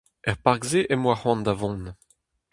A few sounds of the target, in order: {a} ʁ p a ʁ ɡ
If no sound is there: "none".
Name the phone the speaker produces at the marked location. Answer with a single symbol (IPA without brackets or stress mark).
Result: ɛ